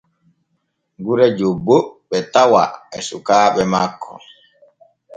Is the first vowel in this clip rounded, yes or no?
yes